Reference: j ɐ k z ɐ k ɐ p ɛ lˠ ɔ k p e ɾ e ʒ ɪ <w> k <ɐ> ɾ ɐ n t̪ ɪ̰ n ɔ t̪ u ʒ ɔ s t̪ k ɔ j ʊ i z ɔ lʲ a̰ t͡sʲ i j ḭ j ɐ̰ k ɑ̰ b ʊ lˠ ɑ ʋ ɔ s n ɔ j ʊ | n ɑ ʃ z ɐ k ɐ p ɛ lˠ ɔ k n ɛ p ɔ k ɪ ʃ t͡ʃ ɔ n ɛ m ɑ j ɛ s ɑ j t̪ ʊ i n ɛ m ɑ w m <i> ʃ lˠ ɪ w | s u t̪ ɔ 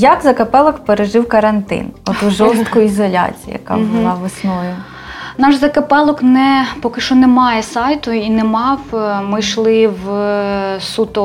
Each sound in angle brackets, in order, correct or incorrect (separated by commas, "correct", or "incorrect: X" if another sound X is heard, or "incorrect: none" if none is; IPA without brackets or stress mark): correct, correct, incorrect: ɪ